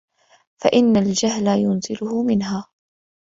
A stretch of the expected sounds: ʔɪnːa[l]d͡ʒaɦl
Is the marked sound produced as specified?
yes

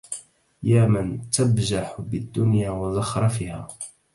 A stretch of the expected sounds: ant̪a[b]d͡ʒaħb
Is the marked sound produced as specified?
yes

